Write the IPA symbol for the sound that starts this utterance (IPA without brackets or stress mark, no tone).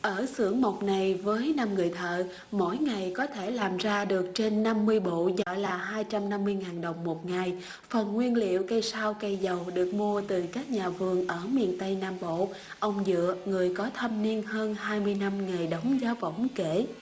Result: ʔ